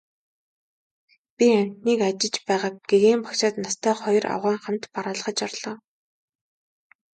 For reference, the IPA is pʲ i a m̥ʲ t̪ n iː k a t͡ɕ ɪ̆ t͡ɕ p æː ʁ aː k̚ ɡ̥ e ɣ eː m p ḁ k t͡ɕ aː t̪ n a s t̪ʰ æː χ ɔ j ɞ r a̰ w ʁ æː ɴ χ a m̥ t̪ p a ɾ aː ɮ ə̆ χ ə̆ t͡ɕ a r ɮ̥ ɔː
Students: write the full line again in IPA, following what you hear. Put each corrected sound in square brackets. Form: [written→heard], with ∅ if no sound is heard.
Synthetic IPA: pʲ i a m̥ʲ t̪ n iː k a t͡ɕ ɪ̆ t͡ɕ p æː ʁ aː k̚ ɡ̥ e ɣ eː m p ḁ k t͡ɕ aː t̪ n a s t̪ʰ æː χ ɔ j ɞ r a̰ w ʁ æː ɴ χ a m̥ t̪ p a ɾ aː ɮ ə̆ χ ə̆ t͡ɕ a r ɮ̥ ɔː